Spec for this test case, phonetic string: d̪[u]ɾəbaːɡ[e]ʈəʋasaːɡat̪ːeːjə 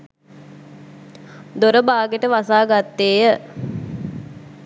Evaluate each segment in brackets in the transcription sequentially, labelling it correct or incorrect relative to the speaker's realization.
incorrect: o, correct

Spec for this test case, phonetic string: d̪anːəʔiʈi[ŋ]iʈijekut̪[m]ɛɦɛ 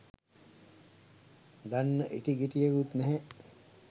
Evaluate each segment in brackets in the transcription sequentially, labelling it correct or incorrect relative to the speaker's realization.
incorrect: ɡ, incorrect: n

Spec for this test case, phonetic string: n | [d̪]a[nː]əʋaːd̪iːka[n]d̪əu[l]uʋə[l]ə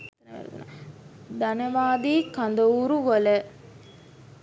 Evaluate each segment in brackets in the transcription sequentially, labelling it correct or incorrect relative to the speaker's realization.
correct, incorrect: n, correct, incorrect: ɾ, correct

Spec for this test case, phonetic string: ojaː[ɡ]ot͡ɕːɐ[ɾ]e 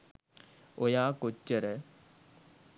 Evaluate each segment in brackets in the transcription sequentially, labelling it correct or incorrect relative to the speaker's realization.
incorrect: k, correct

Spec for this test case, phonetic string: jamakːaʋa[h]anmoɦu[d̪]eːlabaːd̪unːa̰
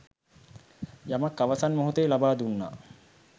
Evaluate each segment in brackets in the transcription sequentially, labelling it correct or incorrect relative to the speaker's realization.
incorrect: s, incorrect: t̪

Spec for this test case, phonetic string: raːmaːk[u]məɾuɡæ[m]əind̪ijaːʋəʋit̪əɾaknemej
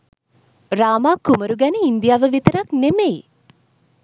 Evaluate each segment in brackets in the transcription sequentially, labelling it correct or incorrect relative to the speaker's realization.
correct, incorrect: n

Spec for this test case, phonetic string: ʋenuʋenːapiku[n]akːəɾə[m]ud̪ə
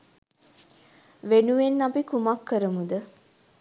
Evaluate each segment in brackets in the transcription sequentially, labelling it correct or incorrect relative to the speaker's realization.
incorrect: m, correct

